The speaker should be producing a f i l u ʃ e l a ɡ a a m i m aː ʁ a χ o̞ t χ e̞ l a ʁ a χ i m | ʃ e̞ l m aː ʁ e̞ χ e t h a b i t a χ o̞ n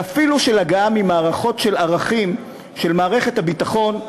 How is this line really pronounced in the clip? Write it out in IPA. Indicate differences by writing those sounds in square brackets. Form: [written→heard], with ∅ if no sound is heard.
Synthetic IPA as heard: a f i l u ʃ e l a ɡ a a m i m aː ʁ a χ o̞ t [χ→ʃ] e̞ l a ʁ a χ i m | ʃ e̞ l m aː ʁ e̞ χ e t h a b i t a χ o̞ n